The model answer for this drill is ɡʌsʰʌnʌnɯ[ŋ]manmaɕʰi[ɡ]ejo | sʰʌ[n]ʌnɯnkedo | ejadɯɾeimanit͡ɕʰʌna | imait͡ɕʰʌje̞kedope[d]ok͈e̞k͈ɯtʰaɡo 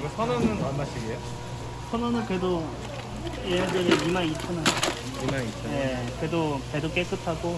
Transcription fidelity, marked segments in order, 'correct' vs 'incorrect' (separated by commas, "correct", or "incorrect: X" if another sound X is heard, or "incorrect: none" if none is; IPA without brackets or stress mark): incorrect: n, correct, correct, correct